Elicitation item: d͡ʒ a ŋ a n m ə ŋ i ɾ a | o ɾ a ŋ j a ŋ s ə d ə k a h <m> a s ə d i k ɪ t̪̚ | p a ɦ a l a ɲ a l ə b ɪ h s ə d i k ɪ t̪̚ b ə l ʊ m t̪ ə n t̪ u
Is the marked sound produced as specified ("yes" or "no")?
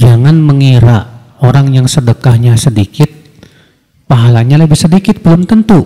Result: no